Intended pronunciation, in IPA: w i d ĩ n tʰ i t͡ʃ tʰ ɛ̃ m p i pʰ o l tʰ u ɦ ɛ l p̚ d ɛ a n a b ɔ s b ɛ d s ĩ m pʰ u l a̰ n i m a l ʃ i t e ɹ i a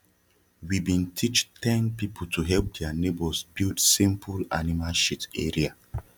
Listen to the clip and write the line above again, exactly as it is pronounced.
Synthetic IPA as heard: w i b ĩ n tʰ i t͡ʃ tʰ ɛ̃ n p i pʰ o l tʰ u ɦ ɛ l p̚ d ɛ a n e b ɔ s b i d s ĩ m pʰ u l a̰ n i m a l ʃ i t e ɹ i a